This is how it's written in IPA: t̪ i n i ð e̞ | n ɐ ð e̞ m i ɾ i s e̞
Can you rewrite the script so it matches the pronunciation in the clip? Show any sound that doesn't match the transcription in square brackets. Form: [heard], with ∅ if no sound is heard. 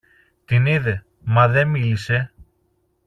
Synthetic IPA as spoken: t̪ i n i ð e̞ | [m] ɐ ð e̞ m i [l] i s e̞